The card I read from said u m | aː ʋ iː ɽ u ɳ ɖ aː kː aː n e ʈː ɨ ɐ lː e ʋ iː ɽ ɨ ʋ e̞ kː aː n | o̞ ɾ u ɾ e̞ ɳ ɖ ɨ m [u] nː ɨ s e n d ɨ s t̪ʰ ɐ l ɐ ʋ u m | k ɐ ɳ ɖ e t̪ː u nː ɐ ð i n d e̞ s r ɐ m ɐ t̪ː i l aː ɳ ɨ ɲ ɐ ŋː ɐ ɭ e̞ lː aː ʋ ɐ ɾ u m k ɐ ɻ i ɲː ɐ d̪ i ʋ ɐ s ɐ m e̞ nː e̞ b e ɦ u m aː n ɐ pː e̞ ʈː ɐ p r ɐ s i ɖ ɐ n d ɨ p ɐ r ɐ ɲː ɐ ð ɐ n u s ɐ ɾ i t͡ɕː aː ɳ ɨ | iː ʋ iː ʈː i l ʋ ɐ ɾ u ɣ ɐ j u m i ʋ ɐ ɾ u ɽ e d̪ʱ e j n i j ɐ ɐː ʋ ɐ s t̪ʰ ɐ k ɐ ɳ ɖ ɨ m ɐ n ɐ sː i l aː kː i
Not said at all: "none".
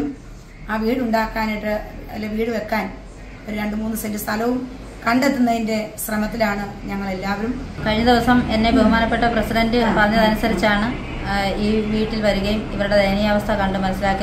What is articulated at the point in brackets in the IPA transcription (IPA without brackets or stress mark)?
uː